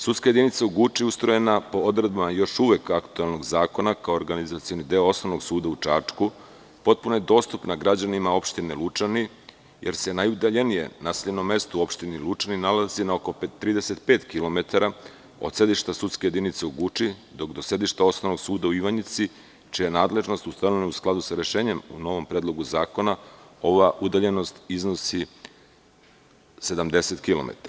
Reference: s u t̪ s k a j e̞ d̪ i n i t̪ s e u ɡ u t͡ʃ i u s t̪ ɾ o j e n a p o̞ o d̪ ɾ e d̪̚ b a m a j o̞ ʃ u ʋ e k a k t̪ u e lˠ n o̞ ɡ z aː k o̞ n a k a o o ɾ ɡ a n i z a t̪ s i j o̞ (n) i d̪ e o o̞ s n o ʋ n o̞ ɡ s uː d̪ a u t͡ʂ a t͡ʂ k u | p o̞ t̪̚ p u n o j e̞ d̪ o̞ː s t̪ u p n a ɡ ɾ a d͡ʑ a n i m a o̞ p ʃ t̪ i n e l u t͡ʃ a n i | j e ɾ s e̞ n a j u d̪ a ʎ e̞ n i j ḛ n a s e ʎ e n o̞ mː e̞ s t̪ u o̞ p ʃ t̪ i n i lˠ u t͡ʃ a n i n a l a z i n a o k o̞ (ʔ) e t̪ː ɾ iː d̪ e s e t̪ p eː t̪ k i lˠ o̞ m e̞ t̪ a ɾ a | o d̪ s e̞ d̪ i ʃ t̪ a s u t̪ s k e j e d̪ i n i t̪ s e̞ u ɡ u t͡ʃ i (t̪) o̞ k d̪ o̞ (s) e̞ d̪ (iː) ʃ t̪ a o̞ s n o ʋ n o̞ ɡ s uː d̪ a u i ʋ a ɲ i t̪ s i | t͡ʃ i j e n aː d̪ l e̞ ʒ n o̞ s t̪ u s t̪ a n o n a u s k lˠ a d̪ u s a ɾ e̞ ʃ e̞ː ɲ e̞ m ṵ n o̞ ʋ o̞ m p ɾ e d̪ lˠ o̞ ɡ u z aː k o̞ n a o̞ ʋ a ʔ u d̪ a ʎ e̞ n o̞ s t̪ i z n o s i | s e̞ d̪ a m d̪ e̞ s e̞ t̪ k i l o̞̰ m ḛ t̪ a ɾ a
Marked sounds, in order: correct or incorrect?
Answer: correct, incorrect: p, incorrect: d̪, correct, incorrect: i

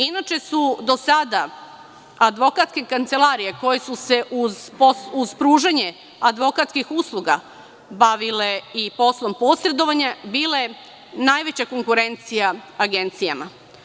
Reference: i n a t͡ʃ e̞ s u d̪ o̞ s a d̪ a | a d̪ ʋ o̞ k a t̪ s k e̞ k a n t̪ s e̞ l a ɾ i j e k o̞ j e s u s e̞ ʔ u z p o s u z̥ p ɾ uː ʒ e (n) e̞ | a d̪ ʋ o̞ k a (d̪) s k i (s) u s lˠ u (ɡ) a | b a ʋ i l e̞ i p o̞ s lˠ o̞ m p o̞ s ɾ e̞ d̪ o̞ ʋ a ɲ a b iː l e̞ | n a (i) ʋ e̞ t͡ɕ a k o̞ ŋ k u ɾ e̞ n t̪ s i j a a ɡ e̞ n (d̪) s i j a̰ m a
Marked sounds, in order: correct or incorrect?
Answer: incorrect: ɲ, incorrect: t̪, incorrect: x, correct, incorrect: j, incorrect: t̪

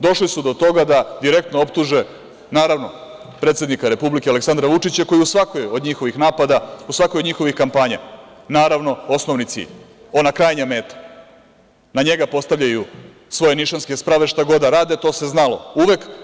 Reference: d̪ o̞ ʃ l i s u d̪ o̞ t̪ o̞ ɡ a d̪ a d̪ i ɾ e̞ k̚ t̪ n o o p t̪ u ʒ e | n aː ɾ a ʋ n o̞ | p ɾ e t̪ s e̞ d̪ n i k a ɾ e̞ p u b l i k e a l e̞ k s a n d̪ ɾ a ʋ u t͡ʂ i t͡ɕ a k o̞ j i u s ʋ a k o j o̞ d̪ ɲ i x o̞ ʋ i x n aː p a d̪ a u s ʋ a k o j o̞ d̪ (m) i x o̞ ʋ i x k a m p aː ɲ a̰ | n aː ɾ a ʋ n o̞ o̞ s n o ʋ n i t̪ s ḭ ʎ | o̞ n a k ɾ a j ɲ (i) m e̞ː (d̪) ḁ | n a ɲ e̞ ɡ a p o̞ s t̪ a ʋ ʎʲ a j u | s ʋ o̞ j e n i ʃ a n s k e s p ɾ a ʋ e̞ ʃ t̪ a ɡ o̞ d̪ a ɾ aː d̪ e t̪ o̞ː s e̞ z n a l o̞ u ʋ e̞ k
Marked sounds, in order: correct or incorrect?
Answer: incorrect: ɲ, incorrect: a, incorrect: t̪

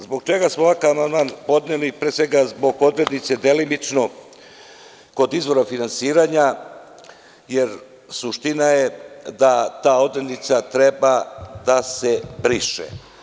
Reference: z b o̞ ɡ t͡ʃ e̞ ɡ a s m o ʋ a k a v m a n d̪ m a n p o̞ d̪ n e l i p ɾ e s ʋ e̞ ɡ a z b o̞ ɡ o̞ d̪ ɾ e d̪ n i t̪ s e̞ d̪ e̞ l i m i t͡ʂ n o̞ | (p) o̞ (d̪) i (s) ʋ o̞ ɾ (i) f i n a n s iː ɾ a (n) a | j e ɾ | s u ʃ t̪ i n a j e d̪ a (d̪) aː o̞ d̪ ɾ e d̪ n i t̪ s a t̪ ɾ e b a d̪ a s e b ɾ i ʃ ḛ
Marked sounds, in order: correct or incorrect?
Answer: incorrect: k, correct, incorrect: z, incorrect: a, incorrect: ɲ, incorrect: t̪

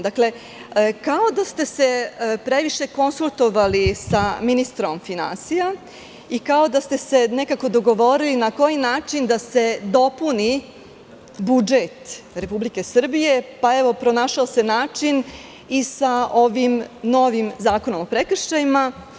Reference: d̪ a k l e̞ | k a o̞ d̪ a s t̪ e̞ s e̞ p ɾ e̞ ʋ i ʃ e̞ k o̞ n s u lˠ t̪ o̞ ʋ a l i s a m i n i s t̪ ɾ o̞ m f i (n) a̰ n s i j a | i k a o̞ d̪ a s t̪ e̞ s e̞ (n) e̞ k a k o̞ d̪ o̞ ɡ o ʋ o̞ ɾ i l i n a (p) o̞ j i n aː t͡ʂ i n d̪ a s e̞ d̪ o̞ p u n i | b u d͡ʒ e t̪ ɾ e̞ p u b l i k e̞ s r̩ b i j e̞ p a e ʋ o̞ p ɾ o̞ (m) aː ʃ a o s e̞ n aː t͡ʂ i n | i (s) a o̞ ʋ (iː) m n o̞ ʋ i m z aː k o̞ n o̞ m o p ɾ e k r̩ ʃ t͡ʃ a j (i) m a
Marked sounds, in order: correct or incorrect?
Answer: correct, correct, incorrect: k, incorrect: n, correct, incorrect: i, correct

